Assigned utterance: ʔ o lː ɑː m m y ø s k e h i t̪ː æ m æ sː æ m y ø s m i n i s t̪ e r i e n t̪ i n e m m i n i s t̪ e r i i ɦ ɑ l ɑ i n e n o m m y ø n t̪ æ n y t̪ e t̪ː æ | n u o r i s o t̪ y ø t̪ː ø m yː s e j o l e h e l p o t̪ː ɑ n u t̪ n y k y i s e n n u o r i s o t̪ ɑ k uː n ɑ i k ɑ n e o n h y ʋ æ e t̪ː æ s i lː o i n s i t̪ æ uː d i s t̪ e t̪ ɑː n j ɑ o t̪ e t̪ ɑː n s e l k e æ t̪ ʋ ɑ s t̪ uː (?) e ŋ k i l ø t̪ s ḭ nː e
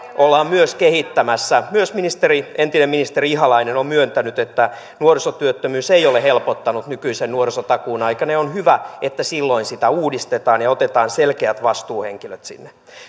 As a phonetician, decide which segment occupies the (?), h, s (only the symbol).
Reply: h